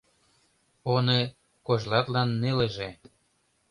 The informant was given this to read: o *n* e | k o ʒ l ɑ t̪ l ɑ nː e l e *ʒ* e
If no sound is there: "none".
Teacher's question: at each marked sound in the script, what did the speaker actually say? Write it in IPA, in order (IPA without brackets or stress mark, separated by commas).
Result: n, ʒ